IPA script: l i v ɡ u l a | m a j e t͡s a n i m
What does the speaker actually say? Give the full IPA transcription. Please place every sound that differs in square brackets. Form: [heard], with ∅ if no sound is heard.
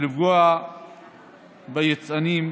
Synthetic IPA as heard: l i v ɡ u [∅] a | [b] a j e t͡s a n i m